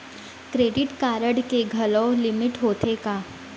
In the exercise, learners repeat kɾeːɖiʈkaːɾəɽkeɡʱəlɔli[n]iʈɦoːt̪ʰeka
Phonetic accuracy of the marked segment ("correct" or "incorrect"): incorrect